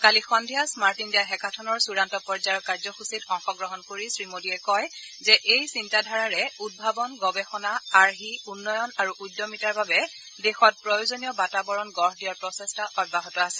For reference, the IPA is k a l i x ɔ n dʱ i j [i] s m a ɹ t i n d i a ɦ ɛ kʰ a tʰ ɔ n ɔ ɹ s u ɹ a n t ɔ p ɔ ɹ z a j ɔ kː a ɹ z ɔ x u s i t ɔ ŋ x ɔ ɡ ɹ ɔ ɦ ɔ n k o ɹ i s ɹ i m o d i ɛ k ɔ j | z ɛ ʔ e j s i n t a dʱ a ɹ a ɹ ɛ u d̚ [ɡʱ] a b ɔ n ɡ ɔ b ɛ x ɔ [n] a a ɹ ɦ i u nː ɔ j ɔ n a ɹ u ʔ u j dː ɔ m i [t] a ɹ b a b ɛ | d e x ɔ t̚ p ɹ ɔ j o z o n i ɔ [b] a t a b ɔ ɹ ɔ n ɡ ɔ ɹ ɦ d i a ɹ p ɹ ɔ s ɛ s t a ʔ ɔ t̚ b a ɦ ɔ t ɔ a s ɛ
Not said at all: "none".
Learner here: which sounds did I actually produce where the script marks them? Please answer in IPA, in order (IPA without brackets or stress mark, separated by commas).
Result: a, bʱ, n, t, b